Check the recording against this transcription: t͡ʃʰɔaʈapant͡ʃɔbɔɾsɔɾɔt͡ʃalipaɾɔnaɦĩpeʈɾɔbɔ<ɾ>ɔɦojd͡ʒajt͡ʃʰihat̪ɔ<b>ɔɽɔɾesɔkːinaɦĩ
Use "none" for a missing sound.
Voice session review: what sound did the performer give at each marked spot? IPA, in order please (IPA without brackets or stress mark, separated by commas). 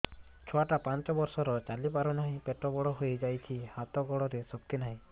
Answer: ɽ, ɡ